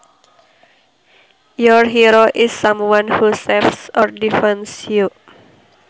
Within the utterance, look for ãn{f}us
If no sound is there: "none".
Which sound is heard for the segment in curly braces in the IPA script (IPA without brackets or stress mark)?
h